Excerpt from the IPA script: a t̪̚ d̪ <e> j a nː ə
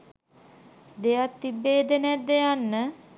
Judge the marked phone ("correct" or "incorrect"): correct